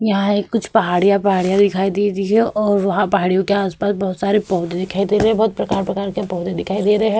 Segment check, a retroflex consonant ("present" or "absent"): present